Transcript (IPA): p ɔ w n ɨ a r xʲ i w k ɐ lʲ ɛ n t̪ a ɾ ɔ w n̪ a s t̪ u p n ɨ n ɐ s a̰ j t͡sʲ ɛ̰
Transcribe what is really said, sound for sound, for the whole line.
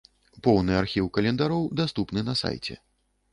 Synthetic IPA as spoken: p ɔ w n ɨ a r xʲ i w k ɐ lʲ ɛ n d̪ a ɾ ɔ w d̪ a s t̪ u p n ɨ n ɐ s a̰ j t͡sʲ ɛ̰